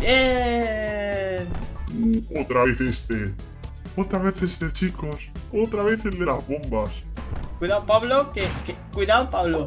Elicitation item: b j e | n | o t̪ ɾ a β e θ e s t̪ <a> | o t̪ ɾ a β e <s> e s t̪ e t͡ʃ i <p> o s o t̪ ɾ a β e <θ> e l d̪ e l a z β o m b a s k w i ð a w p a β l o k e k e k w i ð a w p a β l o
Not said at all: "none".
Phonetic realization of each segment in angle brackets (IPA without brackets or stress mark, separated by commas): e, θ, k, θ